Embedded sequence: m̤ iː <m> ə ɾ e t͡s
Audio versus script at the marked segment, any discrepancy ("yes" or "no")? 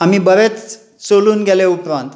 yes